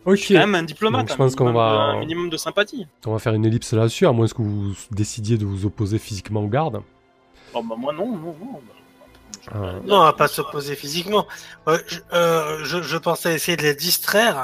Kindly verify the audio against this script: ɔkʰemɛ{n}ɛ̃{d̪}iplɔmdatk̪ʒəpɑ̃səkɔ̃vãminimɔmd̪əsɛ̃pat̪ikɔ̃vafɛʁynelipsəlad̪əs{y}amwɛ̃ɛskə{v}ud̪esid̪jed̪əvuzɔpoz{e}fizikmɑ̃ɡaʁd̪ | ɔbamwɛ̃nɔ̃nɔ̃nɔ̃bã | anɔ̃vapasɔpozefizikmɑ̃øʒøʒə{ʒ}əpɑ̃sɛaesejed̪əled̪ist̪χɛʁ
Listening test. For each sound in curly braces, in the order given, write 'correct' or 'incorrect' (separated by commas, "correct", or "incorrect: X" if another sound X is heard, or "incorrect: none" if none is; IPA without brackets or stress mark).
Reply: incorrect: m, correct, correct, correct, correct, correct